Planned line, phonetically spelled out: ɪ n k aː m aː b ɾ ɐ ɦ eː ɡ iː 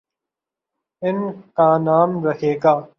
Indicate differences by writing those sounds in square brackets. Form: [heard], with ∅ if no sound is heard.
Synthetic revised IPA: ɪ n k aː [n] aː [m] ɾ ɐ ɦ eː ɡ [aː]